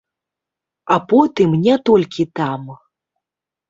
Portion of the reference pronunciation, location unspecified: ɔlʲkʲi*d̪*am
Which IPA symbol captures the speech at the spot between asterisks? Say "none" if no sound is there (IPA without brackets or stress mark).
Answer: t̪